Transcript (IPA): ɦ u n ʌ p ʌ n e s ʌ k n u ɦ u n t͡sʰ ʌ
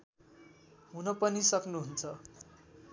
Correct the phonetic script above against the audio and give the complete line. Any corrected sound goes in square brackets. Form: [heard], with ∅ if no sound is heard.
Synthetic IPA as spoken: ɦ u n ʌ p ʌ n [i] s ʌ k n u ɦ u n t͡sʰ ʌ

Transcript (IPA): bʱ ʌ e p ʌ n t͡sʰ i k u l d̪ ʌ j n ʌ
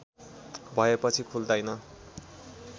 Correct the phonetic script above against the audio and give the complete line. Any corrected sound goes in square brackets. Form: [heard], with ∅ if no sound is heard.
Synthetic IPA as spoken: bʱ ʌ e p ʌ [∅] t͡sʰ i [kʰ] u l d̪ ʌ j n ʌ

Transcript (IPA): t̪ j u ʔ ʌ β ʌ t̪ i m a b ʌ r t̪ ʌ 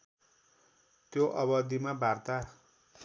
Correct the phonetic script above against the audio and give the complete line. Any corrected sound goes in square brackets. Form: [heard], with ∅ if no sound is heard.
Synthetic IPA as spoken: t̪ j [o] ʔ ʌ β ʌ [d̪] i m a b [a] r t̪ [a]

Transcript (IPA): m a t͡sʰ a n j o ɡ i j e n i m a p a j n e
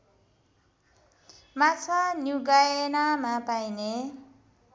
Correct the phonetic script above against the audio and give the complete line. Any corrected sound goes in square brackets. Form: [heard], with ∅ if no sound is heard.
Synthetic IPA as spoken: m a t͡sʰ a n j [u] ɡ [a] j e n [a] m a p a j n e

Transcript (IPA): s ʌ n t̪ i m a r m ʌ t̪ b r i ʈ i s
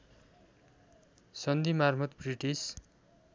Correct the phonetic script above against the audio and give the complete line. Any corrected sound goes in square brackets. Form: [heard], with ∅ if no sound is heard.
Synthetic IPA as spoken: s ʌ n [d̪] i m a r m ʌ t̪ b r i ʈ i s

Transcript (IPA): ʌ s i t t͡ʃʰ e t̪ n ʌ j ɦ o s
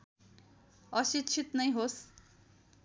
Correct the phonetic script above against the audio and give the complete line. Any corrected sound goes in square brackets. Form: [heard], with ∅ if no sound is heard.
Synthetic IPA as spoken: ʌ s i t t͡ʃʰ [i] t̪ n ʌ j ɦ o s

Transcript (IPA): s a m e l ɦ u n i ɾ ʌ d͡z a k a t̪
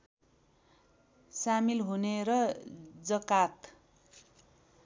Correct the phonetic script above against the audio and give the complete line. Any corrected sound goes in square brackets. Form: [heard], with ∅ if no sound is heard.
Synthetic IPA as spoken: s a m [i] l ɦ u n [e] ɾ ʌ d͡z [ʌ] k a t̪

